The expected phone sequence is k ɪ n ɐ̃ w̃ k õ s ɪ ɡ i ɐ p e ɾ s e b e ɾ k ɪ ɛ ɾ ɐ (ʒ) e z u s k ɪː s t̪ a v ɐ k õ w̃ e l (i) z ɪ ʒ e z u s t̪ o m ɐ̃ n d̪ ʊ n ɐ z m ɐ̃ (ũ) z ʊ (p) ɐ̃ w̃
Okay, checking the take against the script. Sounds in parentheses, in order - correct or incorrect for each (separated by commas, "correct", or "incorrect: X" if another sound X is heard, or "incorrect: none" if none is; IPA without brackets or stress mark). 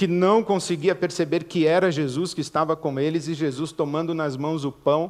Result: correct, incorrect: ɪ, incorrect: w̃, correct